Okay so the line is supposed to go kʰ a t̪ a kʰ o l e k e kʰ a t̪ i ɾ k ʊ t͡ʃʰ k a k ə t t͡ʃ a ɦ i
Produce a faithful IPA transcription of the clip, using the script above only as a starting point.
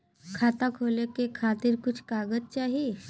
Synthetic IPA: kʰ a t̪ a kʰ o l e k e kʰ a t̪ i ɾ k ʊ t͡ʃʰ k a ɡ ə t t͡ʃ a ɦ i